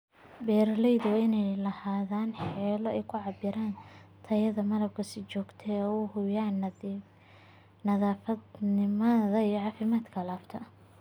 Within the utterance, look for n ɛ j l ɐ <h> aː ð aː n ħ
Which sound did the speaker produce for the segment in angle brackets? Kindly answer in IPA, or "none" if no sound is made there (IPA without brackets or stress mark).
h